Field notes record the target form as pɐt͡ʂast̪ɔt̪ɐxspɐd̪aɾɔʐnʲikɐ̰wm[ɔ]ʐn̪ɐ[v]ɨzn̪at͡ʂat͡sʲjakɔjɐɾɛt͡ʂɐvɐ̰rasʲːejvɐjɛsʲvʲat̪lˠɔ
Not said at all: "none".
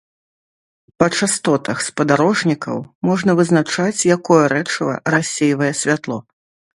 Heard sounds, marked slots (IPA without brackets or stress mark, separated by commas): ɔ, v